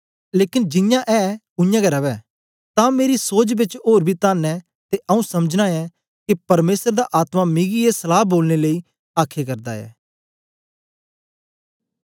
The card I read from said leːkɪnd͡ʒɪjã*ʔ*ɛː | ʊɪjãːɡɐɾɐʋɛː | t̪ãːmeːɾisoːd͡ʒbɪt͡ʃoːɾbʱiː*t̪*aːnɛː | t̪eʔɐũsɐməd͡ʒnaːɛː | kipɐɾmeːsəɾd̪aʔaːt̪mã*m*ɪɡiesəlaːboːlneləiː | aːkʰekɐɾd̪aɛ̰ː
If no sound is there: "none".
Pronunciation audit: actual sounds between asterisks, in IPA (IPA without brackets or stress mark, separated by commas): ʔ, t̪, m